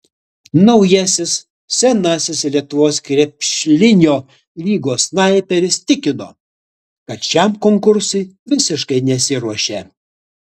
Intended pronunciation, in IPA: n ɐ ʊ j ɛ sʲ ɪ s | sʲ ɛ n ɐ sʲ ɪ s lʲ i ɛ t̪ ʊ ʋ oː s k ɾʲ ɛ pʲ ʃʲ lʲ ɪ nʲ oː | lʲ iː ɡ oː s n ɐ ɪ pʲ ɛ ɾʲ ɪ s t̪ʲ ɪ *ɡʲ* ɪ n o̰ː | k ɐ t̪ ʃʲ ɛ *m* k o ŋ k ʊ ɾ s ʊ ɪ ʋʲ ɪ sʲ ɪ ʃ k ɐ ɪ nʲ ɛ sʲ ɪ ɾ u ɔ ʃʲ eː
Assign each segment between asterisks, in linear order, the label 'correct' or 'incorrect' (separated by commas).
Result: incorrect, correct